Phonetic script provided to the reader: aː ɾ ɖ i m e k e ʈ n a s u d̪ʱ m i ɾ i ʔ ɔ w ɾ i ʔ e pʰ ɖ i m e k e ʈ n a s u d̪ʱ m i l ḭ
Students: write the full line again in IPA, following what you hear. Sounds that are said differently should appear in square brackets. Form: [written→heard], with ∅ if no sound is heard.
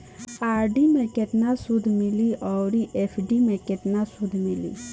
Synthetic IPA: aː ɾ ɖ i m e k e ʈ n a s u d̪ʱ m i [ɾ→l] i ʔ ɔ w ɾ i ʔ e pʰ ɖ i m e k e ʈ n a s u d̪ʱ m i l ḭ